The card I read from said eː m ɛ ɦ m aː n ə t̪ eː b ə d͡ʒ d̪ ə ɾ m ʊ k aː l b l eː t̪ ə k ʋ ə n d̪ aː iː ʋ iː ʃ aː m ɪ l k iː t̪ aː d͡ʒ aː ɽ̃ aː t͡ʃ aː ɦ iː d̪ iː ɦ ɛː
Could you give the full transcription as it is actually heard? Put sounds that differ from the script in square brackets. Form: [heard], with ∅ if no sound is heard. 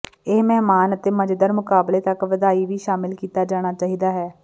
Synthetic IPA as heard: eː m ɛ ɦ m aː n ə t̪ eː [m] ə d͡ʒ d̪ ə ɾ m ʊ k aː [∅] b l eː t̪ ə k ʋ ə [∅] d̪ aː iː ʋ iː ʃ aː m ɪ l k iː t̪ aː d͡ʒ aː ɽ̃ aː t͡ʃ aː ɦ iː d̪ [aː] ɦ ɛː